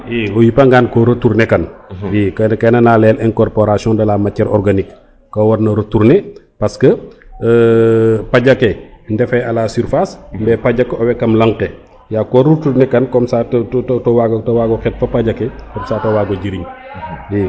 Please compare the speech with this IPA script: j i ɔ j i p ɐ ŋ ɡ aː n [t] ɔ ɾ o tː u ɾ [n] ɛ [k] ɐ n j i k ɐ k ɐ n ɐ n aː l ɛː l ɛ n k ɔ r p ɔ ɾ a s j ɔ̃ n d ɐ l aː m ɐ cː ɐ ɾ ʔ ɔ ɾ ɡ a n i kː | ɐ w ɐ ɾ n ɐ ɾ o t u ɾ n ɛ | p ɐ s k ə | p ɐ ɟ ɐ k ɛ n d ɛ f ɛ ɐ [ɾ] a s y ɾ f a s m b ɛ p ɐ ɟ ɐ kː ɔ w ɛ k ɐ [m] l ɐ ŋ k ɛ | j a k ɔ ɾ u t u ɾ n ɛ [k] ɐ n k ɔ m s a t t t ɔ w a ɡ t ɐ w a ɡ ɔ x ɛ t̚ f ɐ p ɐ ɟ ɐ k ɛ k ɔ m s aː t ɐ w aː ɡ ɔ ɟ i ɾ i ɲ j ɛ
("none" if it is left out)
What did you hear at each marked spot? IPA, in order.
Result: k, n, k, l, m, k

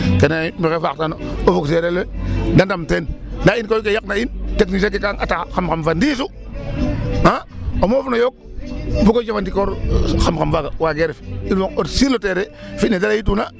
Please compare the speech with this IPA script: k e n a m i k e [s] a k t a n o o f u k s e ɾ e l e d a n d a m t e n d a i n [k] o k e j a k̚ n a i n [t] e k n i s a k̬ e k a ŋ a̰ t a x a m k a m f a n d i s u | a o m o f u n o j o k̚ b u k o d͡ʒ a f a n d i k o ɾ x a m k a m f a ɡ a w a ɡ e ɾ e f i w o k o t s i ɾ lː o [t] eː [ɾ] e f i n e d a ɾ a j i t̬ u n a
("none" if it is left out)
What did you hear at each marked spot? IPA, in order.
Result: f, k, t, t, ɾ

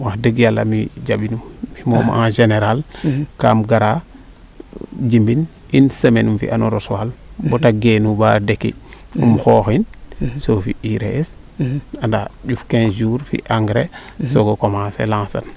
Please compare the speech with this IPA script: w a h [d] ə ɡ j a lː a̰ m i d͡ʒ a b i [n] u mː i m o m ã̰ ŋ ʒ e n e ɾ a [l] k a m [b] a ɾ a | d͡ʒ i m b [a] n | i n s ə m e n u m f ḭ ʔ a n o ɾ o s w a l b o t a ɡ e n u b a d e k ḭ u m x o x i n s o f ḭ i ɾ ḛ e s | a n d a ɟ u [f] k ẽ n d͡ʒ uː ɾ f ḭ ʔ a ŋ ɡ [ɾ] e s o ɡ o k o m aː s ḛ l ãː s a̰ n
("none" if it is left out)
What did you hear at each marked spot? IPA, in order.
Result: d, n, l, ɡ, i, f, ɾ

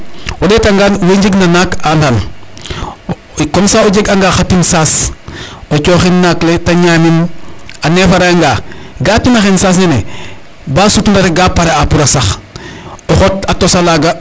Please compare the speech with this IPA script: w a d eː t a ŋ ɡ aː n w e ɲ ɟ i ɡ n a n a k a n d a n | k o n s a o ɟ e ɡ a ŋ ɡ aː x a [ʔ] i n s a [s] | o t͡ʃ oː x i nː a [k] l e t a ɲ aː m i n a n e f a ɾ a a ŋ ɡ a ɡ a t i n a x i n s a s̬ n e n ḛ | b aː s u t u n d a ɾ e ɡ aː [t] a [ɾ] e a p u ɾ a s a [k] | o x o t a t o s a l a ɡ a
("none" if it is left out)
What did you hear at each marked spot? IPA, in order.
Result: t, s, k, p, ɾ, x

